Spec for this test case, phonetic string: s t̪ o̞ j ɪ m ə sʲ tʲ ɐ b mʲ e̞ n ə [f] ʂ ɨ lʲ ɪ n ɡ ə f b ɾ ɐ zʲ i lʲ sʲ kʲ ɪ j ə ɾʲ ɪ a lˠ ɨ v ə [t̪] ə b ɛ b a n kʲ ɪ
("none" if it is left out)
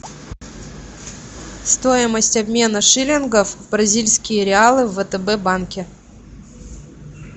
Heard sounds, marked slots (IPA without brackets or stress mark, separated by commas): none, t̪